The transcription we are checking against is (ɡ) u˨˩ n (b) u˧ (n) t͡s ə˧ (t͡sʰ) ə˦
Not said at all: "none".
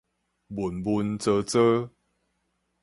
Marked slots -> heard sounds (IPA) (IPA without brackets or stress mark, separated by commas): b, b, n, t͡s